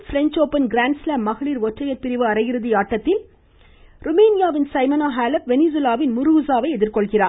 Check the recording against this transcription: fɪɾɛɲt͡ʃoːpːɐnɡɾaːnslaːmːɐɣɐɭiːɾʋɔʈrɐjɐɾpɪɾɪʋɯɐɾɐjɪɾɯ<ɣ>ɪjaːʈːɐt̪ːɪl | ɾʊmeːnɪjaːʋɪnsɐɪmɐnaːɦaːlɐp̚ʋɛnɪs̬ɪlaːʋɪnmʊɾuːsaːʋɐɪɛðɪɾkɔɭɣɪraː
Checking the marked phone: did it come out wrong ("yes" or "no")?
yes